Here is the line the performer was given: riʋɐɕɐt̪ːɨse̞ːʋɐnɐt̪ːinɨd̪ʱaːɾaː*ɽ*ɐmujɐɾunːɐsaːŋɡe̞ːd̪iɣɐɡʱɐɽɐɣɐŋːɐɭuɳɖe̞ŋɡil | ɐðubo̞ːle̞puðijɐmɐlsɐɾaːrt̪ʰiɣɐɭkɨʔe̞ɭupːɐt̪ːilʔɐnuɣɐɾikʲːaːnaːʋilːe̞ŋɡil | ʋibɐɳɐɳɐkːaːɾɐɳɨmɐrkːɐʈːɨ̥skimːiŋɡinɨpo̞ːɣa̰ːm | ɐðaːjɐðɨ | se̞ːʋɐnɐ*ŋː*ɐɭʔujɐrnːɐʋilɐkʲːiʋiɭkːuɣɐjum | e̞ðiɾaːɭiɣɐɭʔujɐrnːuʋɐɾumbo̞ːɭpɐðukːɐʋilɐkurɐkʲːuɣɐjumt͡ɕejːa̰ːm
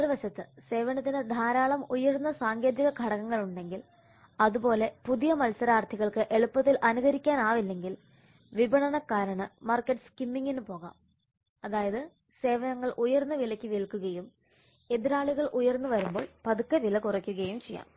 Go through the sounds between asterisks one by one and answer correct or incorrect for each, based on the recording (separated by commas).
incorrect, correct